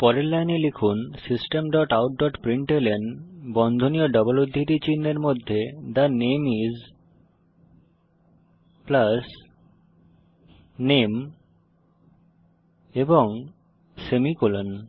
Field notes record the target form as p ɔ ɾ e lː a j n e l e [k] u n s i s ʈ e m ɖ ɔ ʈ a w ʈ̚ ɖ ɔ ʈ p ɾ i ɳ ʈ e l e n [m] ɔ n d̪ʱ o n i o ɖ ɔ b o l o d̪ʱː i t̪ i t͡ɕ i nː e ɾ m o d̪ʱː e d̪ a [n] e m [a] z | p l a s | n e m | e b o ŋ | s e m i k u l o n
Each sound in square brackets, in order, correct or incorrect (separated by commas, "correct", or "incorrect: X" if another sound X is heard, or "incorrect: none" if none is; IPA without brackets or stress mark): incorrect: kʰ, incorrect: b, correct, incorrect: i